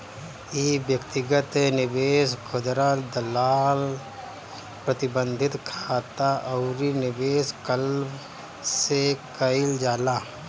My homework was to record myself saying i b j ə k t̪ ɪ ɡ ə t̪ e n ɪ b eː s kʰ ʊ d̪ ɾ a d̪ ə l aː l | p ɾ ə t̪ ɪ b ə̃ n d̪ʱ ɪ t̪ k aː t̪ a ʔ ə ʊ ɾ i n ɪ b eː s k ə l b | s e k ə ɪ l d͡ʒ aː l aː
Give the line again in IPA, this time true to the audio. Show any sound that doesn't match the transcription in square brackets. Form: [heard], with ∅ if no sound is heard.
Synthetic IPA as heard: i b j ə k t̪ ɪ ɡ ə t̪ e n ɪ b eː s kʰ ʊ d̪ ɾ a d̪ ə l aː l | p ɾ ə t̪ ɪ b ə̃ n d̪ʱ ɪ t̪ [kʰ] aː t̪ a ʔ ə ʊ ɾ i n ɪ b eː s k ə l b | s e k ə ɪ l d͡ʒ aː l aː